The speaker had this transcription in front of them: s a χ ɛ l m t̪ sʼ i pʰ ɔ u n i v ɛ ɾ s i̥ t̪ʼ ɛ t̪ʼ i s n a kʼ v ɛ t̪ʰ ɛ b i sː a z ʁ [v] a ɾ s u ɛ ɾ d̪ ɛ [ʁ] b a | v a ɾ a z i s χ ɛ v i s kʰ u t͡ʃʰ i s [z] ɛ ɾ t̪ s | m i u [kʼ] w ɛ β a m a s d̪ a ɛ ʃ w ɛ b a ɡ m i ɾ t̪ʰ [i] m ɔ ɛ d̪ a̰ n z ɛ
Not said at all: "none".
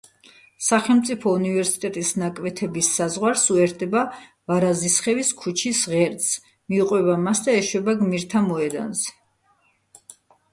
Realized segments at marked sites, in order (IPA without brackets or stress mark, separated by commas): w, none, ʁ, qʼ, a